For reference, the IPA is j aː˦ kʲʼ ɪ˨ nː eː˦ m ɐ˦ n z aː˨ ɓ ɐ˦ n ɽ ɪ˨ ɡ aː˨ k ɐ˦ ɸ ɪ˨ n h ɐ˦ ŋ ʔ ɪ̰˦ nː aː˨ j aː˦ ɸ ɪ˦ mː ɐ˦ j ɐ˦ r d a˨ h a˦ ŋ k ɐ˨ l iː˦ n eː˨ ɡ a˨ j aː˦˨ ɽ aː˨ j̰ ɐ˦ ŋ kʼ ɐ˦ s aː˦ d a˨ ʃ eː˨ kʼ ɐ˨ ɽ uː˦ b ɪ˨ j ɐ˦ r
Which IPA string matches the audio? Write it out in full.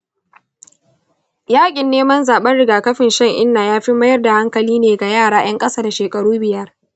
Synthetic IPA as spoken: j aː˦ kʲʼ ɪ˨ nː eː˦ m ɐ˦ n z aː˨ ɓ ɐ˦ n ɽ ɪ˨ ɡ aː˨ k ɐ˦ ɸ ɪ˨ n ʃ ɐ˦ ŋ ʔ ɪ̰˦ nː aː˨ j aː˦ ɸ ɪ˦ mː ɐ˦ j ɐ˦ r d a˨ h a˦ ŋ k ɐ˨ l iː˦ n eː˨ ɡ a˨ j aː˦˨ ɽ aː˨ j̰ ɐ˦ ŋ kʼ ɐ˦ s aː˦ d a˨ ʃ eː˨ kʼ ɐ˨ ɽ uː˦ b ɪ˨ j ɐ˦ r

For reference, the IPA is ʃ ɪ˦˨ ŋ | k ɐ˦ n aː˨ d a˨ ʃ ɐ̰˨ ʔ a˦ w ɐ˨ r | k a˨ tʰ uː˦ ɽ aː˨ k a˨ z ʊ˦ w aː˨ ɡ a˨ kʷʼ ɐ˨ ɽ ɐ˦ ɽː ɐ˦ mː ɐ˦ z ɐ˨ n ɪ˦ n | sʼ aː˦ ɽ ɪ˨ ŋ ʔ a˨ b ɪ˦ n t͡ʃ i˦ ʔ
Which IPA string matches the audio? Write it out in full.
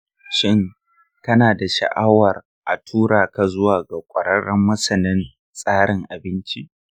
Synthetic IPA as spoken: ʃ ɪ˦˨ ŋ | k ɐ˦ n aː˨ d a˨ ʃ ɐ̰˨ ʔ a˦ w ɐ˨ r | ʔ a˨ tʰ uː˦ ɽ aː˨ k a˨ z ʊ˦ w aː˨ ɡ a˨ kʷʼ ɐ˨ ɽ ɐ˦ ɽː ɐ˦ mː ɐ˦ s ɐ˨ n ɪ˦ n | sʼ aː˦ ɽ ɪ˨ ŋ ʔ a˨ b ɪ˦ n t͡ʃ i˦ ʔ

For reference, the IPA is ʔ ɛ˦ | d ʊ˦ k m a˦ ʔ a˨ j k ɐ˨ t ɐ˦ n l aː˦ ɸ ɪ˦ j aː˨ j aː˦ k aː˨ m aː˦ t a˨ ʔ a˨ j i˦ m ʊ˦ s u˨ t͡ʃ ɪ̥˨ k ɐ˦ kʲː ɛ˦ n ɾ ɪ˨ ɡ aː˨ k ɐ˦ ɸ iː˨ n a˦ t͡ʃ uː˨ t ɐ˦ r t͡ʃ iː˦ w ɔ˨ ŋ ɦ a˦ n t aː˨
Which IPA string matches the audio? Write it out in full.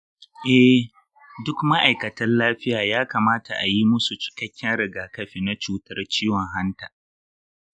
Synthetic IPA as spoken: ʔ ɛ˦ | d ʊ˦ k m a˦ ʔ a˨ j k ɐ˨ t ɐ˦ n l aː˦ ɸ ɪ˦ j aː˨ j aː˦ k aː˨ m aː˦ t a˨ ʔ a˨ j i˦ m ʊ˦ s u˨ t͡ʃ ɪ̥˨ k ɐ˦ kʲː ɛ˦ n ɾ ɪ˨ ɡ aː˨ k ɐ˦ ɸ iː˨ n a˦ t͡ʃ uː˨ t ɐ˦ r t͡ʃ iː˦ w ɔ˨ ŋ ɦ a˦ n t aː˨

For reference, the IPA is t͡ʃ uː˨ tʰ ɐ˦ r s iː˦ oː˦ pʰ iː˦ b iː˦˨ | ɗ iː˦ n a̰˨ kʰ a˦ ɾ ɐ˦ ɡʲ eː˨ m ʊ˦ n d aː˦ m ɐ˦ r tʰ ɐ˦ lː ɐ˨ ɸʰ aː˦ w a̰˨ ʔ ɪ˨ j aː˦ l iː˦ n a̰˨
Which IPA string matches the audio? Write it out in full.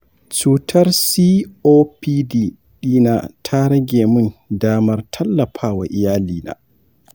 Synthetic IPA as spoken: t͡ʃ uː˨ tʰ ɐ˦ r s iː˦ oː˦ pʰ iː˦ d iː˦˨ | ɗ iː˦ n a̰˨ tʰ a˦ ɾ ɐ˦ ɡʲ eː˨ m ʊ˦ n d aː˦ m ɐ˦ r tʰ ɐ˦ lː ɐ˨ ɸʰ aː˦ w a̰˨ ʔ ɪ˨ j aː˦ l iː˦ n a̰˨

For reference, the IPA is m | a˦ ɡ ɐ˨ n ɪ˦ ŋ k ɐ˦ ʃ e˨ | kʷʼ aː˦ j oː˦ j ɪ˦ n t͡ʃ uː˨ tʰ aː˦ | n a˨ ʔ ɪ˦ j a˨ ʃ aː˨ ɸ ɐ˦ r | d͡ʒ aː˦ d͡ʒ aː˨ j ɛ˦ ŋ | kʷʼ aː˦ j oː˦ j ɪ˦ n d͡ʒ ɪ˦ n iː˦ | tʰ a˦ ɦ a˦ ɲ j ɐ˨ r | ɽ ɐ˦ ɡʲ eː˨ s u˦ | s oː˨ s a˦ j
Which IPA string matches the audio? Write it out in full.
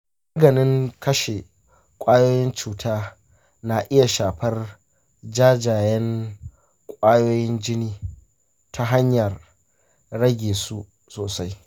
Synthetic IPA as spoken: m | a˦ ɡ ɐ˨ n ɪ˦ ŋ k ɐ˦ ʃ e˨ | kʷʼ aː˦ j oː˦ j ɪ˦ n t͡ʃ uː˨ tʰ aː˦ | n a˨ ʔ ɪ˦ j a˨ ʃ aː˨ ɸ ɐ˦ r | d͡ʒ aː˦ d͡ʒ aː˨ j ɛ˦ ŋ | kʷʼ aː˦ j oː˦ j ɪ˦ n d͡ʒ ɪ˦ n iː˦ | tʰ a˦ ɦ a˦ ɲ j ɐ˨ r | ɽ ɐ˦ ɡʲ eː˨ s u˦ | s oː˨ s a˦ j

